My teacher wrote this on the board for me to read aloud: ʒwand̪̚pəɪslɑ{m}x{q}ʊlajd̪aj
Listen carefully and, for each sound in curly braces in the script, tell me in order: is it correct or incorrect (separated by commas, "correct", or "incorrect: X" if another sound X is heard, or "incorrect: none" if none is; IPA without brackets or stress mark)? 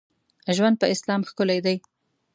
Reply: correct, incorrect: k